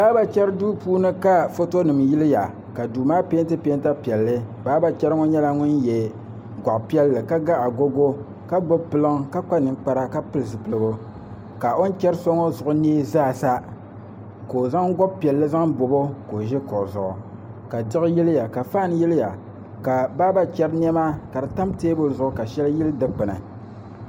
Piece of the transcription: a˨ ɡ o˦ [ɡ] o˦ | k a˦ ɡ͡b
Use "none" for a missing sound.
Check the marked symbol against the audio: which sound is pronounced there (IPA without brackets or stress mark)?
ɡ